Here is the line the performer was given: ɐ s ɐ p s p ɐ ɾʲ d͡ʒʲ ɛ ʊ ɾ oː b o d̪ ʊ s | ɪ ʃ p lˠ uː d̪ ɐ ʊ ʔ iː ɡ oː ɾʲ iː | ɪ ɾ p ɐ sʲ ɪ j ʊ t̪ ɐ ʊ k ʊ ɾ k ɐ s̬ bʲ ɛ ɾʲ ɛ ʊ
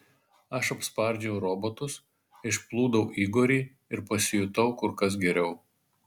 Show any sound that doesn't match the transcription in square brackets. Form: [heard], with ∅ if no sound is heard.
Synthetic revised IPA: ɐ [ʃ] ɐ p s p ɐ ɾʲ d͡ʒʲ ɛ ʊ ɾ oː b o [t̪] ʊ s | ɪ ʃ p lˠ uː d̪ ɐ ʊ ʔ iː ɡ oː ɾʲ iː | ɪ ɾ p ɐ sʲ ɪ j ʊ t̪ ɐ ʊ k ʊ ɾ k ɐ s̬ [ɡʲ] ɛ ɾʲ ɛ ʊ